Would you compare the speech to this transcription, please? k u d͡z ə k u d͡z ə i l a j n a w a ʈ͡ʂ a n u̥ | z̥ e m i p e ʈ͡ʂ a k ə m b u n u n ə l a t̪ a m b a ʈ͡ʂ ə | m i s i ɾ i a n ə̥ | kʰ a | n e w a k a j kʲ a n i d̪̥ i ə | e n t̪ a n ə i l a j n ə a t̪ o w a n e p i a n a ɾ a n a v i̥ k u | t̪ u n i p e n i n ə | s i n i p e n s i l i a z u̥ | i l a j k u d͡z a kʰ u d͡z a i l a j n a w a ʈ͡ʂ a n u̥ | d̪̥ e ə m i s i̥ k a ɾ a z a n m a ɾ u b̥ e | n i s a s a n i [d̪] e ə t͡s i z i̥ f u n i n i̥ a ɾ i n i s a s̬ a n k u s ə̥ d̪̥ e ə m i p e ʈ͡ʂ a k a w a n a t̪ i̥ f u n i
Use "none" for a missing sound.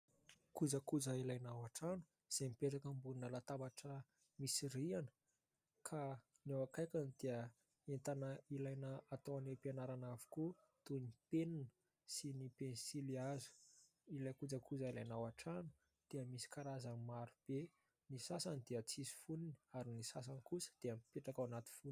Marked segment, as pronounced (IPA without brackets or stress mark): d̪